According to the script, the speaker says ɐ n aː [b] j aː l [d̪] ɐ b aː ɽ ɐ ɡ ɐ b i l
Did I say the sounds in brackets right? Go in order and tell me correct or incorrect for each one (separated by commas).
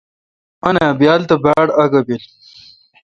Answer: correct, incorrect